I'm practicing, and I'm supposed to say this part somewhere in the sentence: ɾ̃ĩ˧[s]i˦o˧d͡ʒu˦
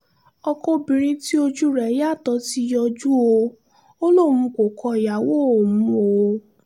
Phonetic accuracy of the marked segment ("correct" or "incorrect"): incorrect